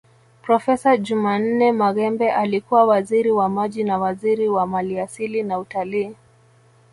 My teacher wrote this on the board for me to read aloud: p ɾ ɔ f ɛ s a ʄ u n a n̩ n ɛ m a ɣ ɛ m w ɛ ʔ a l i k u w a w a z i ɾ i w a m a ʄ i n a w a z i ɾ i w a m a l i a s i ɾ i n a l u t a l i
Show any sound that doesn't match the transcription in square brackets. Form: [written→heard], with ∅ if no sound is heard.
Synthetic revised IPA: p ɾ ɔ f ɛ s a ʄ u [n→m] a n̩ n ɛ m a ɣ ɛ m [w→b] ɛ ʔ a l i k u w a w a z i ɾ i w a m a ʄ i n a w a z i ɾ i w a m a l i a s i [ɾ→l] i n a [l→∅] u t a l [i→iː]